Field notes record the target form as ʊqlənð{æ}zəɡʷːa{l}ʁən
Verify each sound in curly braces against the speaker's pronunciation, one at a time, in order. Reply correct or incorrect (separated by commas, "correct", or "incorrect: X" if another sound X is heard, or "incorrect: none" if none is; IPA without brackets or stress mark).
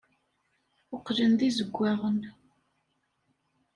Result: incorrect: i, incorrect: none